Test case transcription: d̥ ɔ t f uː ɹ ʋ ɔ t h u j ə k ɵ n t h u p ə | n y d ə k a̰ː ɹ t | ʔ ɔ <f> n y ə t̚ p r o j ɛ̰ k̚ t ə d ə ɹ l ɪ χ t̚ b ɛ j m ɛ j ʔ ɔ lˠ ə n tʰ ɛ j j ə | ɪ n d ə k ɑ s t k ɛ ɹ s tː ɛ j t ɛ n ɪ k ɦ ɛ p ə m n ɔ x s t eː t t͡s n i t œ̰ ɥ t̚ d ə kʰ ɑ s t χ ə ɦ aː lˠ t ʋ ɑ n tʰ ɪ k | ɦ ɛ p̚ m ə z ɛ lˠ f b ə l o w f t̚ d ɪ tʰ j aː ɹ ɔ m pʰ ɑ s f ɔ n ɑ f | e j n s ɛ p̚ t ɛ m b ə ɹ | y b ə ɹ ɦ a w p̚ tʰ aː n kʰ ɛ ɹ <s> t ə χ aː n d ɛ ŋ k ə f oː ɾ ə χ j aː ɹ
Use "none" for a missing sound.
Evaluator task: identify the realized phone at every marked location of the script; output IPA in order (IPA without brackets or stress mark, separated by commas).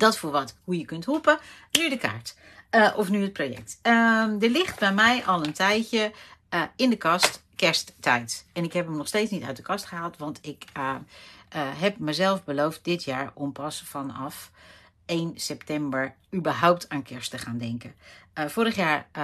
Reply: f, s